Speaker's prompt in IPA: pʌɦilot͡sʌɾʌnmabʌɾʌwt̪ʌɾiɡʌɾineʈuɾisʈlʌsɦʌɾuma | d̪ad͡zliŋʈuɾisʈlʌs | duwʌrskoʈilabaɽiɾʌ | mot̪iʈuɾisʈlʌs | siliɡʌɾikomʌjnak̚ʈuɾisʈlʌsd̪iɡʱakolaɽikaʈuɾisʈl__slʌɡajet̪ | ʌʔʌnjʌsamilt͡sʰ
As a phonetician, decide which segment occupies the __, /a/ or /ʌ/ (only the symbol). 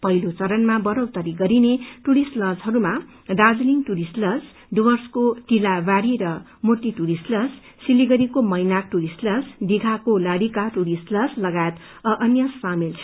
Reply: ʌ